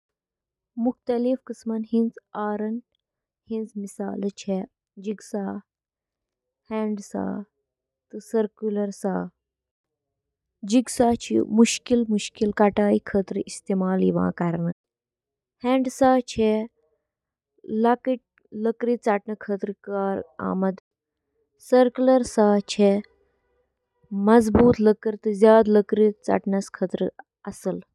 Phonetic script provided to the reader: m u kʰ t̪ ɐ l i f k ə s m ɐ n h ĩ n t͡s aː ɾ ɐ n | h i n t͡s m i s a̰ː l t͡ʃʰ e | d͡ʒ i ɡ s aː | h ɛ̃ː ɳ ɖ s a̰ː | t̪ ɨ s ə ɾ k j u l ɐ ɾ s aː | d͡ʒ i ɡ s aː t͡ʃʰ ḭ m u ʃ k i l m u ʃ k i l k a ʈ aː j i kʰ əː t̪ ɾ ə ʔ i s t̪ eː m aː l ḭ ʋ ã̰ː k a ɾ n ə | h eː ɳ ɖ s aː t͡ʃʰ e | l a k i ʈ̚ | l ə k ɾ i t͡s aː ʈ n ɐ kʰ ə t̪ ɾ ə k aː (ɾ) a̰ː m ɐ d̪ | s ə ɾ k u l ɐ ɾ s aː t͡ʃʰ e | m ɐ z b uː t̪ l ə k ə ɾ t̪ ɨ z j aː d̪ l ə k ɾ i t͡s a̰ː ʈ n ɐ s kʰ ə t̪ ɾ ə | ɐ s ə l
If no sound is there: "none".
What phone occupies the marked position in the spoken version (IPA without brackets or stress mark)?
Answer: ɾ